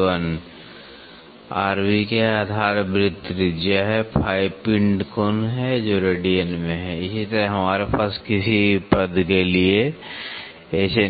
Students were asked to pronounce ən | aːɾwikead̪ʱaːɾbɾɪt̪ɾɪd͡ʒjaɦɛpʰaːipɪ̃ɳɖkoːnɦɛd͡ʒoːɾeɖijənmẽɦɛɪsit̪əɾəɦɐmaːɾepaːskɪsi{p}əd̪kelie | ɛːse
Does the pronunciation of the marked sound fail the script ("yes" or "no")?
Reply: no